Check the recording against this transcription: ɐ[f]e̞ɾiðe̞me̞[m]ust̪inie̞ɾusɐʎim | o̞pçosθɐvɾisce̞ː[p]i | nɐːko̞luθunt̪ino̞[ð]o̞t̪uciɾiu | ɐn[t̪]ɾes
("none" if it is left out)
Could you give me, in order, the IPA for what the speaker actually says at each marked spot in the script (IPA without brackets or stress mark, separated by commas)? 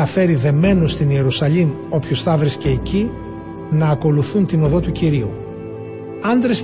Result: f, n, c, ð, d̪